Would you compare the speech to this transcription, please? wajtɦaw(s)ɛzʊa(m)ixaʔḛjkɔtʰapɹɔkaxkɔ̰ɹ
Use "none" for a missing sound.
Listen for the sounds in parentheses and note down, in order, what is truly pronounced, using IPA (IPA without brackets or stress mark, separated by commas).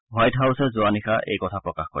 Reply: s, n